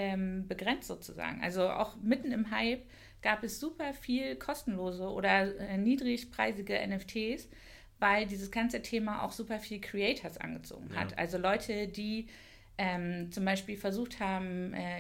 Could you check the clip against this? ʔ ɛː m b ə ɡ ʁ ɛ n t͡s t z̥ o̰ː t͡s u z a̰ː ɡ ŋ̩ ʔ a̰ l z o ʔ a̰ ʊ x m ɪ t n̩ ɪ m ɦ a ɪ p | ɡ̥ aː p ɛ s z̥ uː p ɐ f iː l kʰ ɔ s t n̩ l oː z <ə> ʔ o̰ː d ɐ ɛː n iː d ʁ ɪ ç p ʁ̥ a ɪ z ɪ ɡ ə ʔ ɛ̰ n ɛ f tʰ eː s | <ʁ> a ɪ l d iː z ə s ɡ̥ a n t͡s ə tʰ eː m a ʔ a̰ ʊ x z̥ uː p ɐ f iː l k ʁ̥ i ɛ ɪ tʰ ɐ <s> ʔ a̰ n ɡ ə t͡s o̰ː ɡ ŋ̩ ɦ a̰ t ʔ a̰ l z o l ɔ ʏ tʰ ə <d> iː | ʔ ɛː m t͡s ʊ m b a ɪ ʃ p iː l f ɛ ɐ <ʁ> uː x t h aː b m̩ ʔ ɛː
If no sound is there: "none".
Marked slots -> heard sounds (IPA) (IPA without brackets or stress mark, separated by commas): ə, v, s, d, z